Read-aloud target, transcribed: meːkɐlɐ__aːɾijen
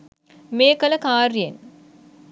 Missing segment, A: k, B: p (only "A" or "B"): A